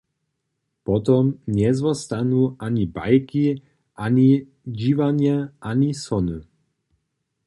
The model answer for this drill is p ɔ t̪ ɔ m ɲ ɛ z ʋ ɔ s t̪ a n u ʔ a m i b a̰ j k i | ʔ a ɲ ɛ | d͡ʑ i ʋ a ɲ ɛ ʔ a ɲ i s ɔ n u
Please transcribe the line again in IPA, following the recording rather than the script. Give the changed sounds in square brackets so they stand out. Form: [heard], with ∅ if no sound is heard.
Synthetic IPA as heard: p ɔ t̪ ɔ m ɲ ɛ z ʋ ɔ s t̪ a n u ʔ a [ɲ] i b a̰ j k i | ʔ a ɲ [i] | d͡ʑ i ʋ a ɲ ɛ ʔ a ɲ i s ɔ n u